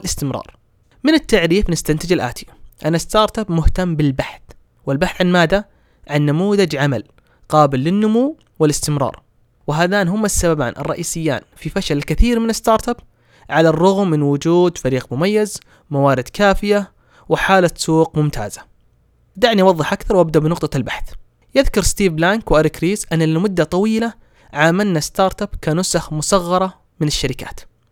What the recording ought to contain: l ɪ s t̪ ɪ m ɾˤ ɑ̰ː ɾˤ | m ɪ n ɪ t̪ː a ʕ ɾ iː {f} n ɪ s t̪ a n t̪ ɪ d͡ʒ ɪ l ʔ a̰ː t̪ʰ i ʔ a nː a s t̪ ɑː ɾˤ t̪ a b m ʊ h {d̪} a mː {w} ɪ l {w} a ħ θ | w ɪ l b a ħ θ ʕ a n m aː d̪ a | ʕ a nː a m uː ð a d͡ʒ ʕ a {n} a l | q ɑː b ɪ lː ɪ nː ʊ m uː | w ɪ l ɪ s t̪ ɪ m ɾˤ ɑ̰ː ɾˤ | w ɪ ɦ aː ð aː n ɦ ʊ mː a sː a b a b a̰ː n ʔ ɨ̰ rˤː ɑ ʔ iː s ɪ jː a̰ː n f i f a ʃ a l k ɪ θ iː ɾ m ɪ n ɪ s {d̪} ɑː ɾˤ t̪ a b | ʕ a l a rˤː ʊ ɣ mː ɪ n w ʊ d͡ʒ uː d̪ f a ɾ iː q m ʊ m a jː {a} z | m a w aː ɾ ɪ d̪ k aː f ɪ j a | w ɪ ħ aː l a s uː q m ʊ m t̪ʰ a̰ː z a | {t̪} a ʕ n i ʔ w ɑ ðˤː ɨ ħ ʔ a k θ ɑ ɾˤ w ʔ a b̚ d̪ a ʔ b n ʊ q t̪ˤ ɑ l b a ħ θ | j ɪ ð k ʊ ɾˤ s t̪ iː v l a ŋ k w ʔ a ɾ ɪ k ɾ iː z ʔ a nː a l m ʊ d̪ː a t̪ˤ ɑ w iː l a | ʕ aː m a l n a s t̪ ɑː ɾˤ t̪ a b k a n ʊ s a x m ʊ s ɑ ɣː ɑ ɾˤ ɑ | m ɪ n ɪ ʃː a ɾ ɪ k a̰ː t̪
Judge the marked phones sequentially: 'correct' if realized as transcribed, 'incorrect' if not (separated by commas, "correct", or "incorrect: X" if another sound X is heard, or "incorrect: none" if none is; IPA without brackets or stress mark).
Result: correct, incorrect: t̪, incorrect: b, incorrect: b, incorrect: m, incorrect: t̪, correct, incorrect: d̪